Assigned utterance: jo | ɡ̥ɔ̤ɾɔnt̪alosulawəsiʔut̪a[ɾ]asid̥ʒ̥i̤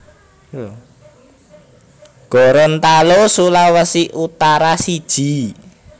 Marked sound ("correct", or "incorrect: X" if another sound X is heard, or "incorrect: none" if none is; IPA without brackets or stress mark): correct